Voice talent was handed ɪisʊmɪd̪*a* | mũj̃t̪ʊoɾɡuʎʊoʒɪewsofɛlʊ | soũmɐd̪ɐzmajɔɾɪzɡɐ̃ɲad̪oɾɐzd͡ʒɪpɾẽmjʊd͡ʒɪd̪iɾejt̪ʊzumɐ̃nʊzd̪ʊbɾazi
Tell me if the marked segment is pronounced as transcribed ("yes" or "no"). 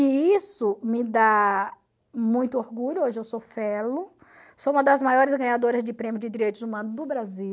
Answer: yes